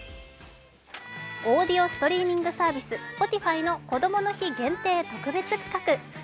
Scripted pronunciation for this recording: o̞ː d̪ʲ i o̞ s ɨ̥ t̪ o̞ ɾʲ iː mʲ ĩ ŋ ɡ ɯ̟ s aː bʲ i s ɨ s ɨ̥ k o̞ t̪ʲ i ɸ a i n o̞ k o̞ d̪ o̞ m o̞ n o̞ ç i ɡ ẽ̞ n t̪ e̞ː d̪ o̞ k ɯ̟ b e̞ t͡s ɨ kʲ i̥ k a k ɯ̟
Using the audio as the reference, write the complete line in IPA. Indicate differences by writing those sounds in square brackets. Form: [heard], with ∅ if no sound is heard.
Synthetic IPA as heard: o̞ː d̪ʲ i o̞ s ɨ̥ t̪ o̞ ɾʲ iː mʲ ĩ ŋ ɡ ɯ̟ s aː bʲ i s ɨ s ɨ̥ [p] o̞ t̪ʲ i ɸ a i n o̞ k o̞ d̪ o̞ m o̞ n o̞ ç i ɡ ẽ̞ n t̪ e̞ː [t̪] o̞ k ɯ̟ b e̞ t͡s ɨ kʲ i̥ k a k ɯ̟